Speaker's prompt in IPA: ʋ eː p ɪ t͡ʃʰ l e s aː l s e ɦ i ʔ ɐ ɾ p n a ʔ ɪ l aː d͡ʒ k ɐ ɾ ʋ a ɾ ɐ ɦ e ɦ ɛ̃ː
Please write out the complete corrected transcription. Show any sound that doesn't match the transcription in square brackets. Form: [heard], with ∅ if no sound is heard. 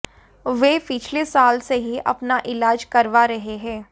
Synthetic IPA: ʋ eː p ɪ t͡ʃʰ l e s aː l s e ɦ i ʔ ɐ [∅] p n a ʔ ɪ l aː d͡ʒ k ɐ ɾ ʋ a ɾ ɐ ɦ e ɦ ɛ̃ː